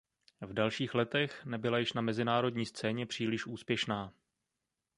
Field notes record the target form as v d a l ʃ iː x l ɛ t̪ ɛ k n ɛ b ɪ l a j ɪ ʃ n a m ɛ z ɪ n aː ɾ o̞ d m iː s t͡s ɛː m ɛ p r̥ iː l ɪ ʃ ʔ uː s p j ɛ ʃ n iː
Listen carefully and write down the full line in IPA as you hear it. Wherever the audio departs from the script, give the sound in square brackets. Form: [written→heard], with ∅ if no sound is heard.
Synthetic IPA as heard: v d a l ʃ iː x l ɛ t̪ ɛ [k→x] n ɛ b ɪ l a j ɪ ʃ n a m ɛ z ɪ n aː ɾ o̞ d [m→ɲ] iː s t͡s ɛː [m→ɲ] ɛ p r̥ iː l ɪ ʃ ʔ uː s p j ɛ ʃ n [iː→aː]